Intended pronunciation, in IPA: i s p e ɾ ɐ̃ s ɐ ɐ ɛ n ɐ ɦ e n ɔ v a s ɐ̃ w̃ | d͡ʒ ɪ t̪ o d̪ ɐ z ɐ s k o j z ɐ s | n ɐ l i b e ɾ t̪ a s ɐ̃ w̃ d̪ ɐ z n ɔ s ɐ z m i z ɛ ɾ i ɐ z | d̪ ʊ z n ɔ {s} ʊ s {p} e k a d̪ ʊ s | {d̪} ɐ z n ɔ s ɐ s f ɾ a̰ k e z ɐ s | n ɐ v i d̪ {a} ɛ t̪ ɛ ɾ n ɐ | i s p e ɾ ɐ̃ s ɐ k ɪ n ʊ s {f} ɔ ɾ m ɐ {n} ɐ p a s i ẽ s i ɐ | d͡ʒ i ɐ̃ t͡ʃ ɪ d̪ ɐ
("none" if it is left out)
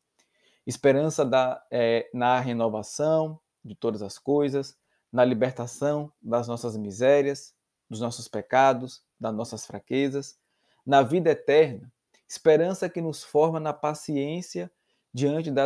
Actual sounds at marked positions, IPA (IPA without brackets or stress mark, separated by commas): s, p, d̪, ɐ, f, n